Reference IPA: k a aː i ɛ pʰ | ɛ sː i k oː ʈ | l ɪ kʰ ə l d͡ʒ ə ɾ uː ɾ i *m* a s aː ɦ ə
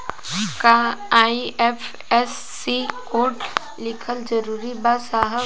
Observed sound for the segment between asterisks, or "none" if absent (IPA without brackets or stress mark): b